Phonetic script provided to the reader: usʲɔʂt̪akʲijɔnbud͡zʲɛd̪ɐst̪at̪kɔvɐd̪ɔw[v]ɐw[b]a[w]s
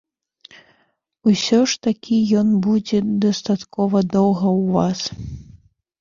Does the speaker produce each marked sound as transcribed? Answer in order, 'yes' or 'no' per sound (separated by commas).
no, no, no